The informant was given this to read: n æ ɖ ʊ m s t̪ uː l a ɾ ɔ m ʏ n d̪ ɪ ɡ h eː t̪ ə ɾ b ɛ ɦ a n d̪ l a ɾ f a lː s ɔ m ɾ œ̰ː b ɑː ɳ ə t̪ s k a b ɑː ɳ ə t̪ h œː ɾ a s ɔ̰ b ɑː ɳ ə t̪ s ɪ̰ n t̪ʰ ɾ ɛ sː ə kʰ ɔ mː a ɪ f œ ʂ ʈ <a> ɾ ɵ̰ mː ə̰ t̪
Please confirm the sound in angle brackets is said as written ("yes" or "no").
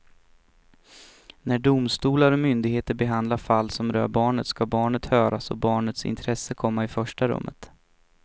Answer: yes